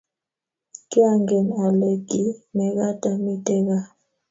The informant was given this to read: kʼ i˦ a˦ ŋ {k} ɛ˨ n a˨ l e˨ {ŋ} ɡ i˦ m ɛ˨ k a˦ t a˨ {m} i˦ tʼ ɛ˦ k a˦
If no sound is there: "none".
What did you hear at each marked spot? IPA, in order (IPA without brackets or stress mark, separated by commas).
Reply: ɡ, none, m